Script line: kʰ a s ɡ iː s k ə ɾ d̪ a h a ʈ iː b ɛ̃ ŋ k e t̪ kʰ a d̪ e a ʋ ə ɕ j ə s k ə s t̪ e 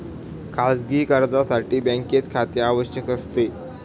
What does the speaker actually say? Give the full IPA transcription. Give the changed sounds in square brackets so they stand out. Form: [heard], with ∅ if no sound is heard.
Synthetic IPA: kʰ a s ɡ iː [∅] k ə ɾ d̪ a [s] a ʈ iː b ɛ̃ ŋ k e t̪ kʰ a [t̪] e a ʋ ə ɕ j ə [∅] k ə s t̪ e

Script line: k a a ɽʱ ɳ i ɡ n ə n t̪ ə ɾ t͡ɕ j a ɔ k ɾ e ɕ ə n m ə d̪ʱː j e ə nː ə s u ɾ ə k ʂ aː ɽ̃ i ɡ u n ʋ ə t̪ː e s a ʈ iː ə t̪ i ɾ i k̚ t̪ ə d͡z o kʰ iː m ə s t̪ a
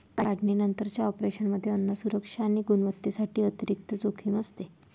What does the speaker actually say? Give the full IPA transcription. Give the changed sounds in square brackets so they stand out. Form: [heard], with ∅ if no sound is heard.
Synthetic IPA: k a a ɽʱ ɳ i [∅] n ə n t̪ ə ɾ t͡ɕ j a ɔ [p] ɾ e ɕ ə n m ə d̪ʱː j e ə nː ə s u ɾ ə k ʂ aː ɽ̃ i ɡ u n ʋ ə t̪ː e s a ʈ iː ə t̪ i ɾ i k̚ t̪ ə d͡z o kʰ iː m ə s t̪ [e]

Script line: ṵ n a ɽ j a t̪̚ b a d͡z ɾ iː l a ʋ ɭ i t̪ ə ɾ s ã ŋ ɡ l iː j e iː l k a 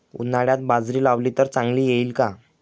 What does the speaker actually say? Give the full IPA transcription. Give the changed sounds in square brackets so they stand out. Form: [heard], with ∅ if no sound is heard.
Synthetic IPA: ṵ n a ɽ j a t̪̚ b a d͡z ɾ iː l a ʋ [l] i t̪ ə ɾ [t͡s] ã ŋ ɡ l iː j e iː l k a

